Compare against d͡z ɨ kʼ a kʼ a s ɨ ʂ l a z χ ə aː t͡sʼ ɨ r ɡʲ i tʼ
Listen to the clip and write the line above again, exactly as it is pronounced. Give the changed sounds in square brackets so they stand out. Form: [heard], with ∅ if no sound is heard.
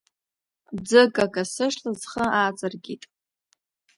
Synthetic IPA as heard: d͡z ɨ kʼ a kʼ a s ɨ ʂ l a z χ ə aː t͡sʼ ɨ r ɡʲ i tʼ